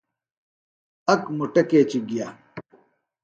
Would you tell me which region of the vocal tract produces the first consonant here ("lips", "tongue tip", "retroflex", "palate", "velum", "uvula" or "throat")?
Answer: velum